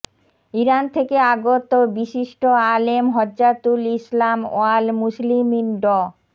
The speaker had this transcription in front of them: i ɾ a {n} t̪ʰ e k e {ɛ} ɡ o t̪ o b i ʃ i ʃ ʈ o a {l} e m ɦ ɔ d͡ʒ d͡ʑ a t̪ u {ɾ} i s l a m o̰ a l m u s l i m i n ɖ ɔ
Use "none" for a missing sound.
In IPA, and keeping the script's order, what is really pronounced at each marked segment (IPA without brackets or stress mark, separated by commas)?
n, a, l, l